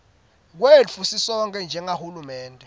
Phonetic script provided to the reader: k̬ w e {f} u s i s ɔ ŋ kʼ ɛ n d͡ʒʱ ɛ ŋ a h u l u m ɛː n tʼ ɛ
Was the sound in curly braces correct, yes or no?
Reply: yes